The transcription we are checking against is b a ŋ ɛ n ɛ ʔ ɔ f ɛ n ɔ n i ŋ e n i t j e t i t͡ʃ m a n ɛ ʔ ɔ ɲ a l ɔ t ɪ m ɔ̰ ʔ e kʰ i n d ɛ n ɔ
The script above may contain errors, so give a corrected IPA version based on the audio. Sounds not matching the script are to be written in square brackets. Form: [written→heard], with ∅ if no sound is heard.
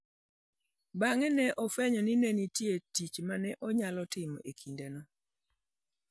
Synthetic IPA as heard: b a ŋ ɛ n ɛ ʔ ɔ f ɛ [n→ɲ] ɔ n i [ŋ→n] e n i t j e t i t͡ʃ m a n ɛ ʔ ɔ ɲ a l ɔ t ɪ m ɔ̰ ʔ e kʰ i n d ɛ n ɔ